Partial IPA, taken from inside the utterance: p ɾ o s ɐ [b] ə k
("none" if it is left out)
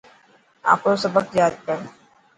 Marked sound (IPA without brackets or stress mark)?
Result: b